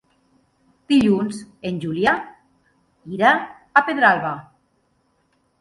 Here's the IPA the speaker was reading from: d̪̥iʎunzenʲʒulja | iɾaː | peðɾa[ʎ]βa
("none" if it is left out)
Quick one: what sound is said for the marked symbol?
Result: l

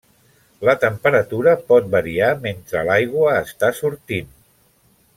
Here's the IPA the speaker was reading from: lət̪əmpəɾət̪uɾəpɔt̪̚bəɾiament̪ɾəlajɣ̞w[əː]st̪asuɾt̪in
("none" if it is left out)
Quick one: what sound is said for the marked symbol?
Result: əː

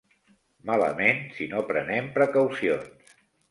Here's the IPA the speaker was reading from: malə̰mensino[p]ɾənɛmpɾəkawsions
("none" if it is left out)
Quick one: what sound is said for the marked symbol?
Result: p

